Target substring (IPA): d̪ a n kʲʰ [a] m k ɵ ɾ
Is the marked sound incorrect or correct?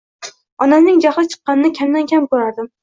correct